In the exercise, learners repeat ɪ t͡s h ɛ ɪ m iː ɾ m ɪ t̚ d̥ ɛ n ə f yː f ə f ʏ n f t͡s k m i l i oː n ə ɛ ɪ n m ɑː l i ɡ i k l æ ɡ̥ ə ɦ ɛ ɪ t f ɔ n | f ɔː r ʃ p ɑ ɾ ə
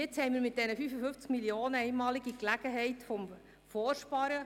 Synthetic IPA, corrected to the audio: ɪ t͡s h ɛ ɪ m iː ɾ m ɪ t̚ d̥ ɛ n ə f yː f ə f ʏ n f t͡s k m i l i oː n ə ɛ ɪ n m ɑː l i ɡ i k l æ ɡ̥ ə ɦ ɛ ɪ t f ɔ m | f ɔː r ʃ p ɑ ɾ ə